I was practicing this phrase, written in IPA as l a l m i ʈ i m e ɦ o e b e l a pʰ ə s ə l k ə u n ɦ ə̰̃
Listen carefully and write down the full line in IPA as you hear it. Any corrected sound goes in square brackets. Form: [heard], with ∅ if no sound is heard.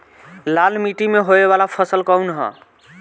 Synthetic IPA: l a l m i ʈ i m e ɦ o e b [a] l a pʰ ə s ə l k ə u n ɦ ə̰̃